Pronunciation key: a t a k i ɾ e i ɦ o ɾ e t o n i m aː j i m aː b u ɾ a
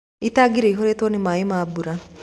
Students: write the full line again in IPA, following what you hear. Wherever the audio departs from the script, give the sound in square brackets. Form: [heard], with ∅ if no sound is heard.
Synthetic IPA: [i] t a [ɡ] i ɾ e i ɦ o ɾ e t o n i m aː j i m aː b u ɾ a